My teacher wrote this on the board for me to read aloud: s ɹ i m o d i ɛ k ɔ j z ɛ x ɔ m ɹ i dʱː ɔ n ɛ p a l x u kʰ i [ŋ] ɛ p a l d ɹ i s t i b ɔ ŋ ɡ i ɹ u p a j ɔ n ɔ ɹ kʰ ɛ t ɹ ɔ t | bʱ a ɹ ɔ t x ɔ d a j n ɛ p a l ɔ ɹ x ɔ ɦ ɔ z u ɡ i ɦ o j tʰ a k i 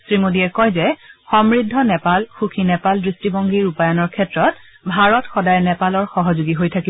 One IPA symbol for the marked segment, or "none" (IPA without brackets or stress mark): n